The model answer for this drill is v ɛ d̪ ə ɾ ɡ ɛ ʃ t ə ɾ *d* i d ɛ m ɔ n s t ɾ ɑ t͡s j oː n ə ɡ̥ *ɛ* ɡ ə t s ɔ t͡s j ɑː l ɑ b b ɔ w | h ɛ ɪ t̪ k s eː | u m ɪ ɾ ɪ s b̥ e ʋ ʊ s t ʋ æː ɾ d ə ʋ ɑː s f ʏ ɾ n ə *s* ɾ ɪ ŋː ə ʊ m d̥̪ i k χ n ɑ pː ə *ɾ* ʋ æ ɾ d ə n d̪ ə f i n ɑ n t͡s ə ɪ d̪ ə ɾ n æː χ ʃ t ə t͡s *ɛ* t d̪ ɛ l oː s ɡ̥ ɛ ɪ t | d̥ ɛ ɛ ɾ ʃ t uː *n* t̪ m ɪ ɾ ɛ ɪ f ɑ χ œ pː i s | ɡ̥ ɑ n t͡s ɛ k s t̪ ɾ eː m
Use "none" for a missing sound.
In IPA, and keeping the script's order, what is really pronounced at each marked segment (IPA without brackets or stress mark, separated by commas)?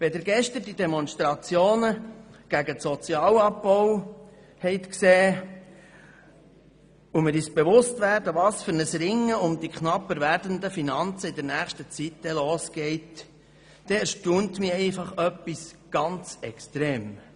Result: d, æ, s, ɾ, i, n